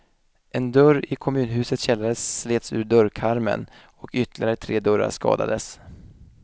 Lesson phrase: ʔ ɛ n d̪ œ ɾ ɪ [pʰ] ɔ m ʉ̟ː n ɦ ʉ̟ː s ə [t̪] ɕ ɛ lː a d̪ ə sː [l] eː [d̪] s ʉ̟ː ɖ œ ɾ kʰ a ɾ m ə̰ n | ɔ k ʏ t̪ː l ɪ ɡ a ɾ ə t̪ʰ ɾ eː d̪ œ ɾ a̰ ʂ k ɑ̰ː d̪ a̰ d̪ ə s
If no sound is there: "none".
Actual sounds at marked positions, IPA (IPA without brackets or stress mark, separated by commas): kʰ, t̪, l, t̪